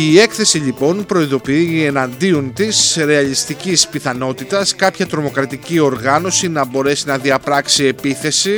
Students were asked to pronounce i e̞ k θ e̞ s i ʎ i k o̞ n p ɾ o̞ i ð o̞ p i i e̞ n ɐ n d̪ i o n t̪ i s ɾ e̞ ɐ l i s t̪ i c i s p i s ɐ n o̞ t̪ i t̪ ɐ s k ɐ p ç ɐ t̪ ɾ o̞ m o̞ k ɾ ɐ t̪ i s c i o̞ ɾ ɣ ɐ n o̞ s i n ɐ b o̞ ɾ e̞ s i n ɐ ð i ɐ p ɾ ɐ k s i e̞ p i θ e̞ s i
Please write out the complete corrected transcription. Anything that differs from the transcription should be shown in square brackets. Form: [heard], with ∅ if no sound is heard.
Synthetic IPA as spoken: i e̞ k θ e̞ s i ʎ i [p] o̞ n p ɾ o̞ i ð o̞ p i i e̞ n ɐ n d̪ i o n t̪ i s ɾ e̞ ɐ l i s t̪ i c i s p i [θ] ɐ n o̞ t̪ i t̪ ɐ s k ɐ p ç ɐ t̪ ɾ o̞ m o̞ k ɾ ɐ t̪ i [∅] c i o̞ ɾ ɣ ɐ n o̞ s i n ɐ b o̞ ɾ e̞ s i n ɐ ð i ɐ p ɾ ɐ k s i e̞ p i θ e̞ s i